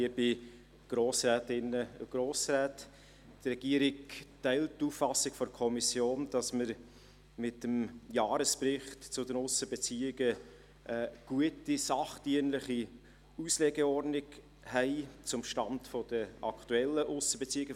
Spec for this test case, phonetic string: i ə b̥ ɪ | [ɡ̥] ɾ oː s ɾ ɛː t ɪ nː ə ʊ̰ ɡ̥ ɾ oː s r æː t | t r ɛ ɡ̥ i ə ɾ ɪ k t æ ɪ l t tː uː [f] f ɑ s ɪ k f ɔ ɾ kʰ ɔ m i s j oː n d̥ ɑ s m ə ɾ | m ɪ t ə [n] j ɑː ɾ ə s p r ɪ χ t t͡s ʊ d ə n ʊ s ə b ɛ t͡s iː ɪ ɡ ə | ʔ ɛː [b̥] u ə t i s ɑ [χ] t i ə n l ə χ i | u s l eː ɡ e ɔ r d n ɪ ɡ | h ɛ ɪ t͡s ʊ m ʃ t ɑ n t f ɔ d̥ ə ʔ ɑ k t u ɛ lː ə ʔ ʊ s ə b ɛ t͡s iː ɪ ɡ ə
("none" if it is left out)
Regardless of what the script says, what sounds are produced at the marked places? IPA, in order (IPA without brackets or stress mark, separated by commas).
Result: ɡ̥, f, m, ɡ̥, χ